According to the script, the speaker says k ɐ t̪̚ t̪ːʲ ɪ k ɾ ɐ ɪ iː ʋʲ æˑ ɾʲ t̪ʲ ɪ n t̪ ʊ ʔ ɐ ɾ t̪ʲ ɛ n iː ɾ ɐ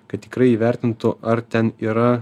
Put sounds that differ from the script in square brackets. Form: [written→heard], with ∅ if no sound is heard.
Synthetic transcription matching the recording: k ɐ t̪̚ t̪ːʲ ɪ k ɾ ɐ ɪ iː ʋʲ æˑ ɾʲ t̪ʲ ɪ n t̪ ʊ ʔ ɐ ɾ t̪ʲ ɛ n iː ɾ ɐ